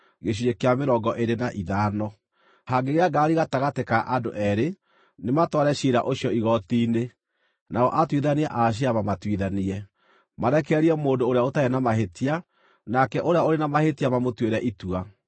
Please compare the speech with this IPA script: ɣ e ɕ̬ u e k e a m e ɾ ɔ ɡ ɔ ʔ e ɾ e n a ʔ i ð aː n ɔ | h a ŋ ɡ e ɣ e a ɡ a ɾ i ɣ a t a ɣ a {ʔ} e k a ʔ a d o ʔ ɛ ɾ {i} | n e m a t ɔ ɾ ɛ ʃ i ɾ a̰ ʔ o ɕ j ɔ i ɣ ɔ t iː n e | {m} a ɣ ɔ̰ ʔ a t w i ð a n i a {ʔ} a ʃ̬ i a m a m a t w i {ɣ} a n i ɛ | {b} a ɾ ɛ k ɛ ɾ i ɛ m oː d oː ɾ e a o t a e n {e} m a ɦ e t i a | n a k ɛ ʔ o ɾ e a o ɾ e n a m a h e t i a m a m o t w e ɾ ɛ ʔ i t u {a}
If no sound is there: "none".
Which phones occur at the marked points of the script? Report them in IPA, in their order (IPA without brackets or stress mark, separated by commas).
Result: t, e, n, ʔ, ð, m, a, a